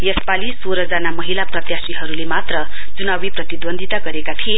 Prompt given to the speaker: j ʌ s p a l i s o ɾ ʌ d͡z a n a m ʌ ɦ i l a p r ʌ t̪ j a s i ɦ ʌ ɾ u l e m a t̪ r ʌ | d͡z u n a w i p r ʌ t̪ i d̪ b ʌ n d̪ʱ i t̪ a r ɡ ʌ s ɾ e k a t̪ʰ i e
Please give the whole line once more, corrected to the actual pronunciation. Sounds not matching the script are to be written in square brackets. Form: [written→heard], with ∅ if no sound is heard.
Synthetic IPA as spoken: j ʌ s p a l i s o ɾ ʌ d͡z a n a m ʌ ɦ i l a p r ʌ t̪ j a s i ɦ ʌ ɾ u l e m a t̪ r ʌ | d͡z u n a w i p r ʌ t̪ i d̪ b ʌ n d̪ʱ i t̪ a [r→∅] ɡ ʌ [s→∅] ɾ e k a t̪ʰ i e